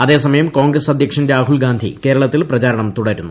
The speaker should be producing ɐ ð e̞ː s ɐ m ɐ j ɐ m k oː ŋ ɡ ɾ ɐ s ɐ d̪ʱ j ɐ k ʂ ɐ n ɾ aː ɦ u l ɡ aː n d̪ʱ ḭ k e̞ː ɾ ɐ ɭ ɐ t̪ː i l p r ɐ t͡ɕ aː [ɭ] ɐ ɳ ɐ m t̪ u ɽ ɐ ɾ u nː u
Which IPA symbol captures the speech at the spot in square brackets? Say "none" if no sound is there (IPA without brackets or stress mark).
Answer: ɾ